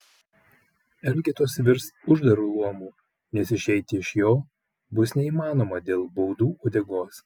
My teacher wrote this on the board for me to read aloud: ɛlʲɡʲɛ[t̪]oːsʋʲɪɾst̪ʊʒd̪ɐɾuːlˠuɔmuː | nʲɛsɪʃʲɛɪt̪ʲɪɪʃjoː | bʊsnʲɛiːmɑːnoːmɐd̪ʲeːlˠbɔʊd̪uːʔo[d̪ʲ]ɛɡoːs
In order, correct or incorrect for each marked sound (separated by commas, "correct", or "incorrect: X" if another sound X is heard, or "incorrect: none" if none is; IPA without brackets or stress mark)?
correct, correct